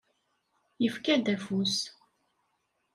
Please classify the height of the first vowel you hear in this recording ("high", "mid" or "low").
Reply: mid